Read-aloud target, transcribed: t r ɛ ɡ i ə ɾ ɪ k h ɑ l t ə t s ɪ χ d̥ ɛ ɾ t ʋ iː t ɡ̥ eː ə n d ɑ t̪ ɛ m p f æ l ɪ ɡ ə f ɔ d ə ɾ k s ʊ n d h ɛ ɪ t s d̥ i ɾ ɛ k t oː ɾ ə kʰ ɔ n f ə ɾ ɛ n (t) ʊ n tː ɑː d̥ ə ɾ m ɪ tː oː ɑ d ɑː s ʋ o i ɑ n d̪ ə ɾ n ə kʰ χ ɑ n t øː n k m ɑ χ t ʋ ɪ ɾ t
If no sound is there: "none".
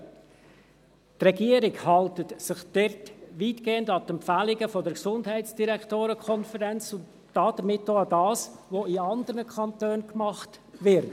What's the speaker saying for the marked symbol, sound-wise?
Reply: t͡s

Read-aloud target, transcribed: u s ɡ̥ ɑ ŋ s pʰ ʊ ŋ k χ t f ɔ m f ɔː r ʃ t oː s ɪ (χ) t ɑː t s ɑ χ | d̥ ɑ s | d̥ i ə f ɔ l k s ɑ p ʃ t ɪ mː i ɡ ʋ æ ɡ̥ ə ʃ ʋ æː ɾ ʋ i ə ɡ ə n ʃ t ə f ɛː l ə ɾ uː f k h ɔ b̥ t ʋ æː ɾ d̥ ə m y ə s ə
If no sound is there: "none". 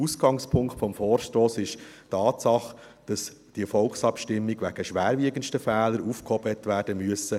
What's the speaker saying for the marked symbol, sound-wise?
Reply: ʃ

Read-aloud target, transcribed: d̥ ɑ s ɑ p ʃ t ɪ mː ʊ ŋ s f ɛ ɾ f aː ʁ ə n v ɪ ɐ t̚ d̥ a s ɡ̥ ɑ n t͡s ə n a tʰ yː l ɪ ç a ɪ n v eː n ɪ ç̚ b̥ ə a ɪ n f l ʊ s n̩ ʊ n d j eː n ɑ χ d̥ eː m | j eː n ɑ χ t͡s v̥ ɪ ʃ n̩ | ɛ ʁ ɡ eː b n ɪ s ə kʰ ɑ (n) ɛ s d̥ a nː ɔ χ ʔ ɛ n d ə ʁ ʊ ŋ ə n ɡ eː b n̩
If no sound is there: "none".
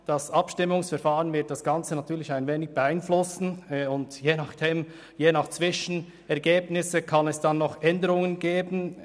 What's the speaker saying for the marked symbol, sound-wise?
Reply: n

